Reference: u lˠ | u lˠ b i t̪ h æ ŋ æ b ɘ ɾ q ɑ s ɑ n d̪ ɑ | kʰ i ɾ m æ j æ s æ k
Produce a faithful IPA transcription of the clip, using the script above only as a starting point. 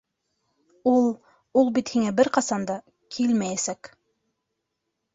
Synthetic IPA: u lˠ | u lˠ b i t̪ h i ŋ æ b ɘ ɾ q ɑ s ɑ n d̪ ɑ | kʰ i l m æ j æ s æ k